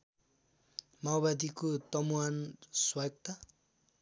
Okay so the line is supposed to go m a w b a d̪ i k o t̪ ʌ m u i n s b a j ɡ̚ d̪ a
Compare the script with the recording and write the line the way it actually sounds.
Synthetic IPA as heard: m a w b a d̪ i k o t̪ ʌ m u a n s w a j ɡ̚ t̪ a

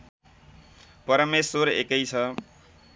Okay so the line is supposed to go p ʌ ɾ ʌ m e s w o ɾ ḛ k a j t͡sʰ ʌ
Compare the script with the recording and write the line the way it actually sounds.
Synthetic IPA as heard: p ʌ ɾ ʌ m e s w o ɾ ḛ k ʌ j t͡sʰ ʌ

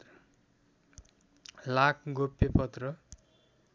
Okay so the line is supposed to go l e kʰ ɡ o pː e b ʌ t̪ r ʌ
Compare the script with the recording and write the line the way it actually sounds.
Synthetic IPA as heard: l a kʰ ɡ o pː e p ʌ t̪ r ʌ

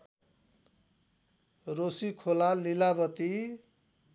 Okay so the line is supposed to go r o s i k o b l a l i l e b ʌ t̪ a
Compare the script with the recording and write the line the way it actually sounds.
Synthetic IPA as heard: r o s i kʰ o l a l i l a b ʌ t̪ i

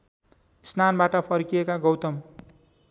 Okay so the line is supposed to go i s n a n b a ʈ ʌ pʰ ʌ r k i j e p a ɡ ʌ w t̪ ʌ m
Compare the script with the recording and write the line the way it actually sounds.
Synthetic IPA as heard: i s n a n b a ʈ ʌ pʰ ʌ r k i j e k a ɡ ʌ w t̪ ʌ m

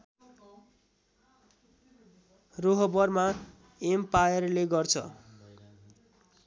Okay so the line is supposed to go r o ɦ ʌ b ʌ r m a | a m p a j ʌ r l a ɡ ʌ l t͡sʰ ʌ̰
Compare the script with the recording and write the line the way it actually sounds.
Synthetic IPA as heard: r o ɦ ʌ b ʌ r m a | e m p a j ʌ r l e ɡ ʌ r t͡sʰ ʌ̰

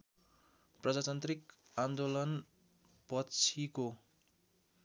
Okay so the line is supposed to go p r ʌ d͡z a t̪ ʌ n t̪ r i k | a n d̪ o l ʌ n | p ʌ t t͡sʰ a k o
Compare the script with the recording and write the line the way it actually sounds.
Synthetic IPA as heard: p r ʌ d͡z a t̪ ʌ n t̪ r i k | a n d̪ o l ʌ n | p ʌ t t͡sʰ i k o

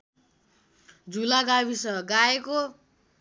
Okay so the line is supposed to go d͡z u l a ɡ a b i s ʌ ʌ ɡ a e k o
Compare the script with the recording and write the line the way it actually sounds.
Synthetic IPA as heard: d͡z u l a ɡ a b i s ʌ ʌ ɡ a e k o

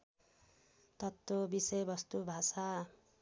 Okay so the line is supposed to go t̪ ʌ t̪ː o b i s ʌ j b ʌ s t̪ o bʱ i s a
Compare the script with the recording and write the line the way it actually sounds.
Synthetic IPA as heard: t̪ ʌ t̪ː o b i s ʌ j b ʌ s t̪ u bʱ a s a

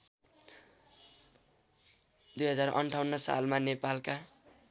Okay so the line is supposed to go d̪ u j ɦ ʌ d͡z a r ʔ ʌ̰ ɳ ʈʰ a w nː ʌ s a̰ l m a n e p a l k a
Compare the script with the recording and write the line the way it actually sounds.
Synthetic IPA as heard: d̪ u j ɦ ʌ d͡z a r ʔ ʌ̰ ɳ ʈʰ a w nː ʌ s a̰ l m a n e p a l k a

